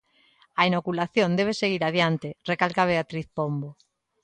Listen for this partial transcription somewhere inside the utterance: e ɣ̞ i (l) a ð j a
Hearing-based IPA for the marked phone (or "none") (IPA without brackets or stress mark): ɾ